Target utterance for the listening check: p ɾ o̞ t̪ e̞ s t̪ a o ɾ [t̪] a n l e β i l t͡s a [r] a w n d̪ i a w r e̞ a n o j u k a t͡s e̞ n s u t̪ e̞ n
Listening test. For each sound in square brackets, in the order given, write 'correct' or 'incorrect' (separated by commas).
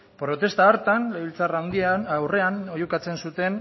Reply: correct, correct